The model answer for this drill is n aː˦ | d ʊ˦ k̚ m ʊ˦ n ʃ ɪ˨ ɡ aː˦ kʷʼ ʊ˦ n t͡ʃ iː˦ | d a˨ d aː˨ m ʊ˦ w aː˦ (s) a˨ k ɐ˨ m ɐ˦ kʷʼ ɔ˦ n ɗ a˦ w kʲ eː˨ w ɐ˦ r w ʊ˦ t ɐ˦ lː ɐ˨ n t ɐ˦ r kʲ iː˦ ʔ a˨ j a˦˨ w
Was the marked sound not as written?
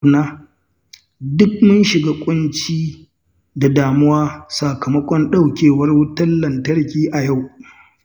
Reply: no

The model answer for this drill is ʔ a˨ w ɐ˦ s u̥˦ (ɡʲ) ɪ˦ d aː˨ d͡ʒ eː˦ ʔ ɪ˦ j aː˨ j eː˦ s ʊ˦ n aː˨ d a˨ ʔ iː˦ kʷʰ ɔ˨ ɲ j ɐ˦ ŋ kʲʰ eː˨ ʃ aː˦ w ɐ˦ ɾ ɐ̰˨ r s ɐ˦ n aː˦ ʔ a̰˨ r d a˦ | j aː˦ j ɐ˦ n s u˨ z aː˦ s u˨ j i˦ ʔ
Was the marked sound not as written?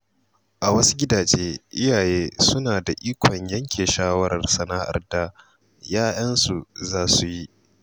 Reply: no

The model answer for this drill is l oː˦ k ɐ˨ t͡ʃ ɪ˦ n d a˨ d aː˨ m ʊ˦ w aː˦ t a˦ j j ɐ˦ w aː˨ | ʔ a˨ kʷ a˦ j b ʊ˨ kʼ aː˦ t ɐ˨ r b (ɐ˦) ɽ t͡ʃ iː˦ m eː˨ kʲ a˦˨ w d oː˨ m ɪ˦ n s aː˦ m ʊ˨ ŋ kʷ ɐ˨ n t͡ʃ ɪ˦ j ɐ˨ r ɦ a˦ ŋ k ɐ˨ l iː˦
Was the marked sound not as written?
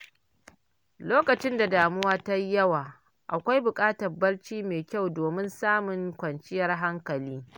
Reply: no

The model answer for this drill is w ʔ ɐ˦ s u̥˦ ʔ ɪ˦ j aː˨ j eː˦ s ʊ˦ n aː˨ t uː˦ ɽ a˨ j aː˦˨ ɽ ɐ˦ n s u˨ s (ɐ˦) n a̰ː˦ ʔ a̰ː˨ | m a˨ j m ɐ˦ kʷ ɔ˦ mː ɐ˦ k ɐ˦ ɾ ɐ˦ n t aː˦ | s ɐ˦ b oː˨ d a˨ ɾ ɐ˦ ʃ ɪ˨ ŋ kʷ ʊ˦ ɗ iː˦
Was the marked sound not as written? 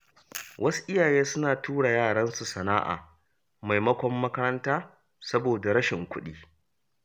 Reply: yes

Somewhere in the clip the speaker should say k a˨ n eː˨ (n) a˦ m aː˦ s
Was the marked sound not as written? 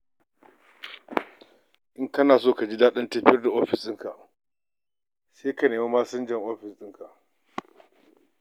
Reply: yes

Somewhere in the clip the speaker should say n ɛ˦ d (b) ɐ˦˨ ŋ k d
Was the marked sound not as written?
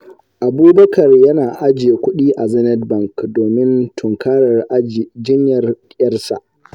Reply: no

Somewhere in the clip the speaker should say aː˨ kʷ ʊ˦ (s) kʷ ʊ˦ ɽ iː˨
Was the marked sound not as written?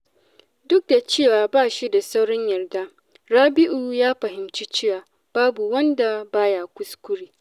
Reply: no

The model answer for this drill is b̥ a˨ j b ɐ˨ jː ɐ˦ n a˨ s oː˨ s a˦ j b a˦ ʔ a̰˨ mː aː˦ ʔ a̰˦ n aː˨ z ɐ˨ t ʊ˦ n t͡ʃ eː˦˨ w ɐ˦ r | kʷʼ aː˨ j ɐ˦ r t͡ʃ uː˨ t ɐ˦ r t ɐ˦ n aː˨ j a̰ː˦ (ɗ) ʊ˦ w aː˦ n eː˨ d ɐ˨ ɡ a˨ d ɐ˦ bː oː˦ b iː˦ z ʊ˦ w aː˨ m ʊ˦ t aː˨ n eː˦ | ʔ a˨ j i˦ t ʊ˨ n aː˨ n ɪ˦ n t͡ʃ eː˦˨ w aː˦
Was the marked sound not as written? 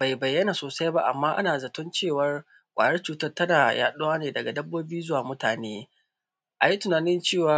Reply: no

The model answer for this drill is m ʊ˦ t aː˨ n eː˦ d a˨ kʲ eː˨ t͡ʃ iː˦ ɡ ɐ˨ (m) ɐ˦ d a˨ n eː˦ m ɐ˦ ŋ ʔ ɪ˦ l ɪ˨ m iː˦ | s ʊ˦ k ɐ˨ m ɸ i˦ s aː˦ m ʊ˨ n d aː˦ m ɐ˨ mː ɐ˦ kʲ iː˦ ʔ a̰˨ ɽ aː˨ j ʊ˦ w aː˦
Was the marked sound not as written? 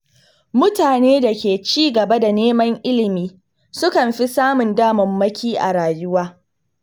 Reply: yes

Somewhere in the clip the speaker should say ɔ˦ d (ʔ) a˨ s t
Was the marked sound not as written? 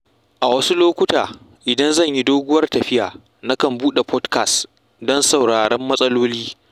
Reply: yes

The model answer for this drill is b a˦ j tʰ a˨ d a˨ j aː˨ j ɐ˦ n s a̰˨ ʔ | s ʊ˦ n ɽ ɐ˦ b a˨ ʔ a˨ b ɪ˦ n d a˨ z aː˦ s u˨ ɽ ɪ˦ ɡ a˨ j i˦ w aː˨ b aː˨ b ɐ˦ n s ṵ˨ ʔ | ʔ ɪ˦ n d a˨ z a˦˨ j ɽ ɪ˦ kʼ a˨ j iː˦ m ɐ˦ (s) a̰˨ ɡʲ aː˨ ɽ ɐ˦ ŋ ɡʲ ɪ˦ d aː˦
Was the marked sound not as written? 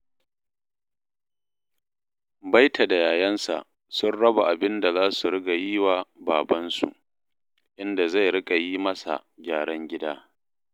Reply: no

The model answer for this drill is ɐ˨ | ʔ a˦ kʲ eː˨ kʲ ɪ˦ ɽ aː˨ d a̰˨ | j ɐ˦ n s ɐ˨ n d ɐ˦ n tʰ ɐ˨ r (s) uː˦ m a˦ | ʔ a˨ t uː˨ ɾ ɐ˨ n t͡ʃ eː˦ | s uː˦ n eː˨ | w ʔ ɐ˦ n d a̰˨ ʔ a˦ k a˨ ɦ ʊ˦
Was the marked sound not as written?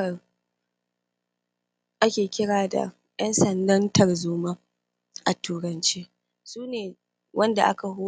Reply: yes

